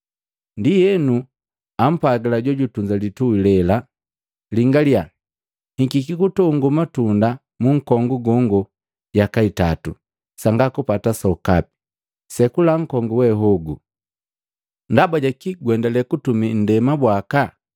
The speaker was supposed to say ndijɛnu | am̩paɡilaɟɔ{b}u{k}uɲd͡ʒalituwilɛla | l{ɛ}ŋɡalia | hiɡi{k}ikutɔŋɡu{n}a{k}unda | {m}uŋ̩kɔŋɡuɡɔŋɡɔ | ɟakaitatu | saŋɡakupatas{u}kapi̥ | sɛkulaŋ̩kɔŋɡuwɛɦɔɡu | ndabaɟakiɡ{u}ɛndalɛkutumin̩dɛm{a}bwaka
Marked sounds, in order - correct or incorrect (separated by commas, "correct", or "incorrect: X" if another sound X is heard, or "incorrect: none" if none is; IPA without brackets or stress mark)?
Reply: incorrect: ɟ, incorrect: t, incorrect: i, correct, incorrect: m, incorrect: t, correct, incorrect: ɔ, incorrect: w, correct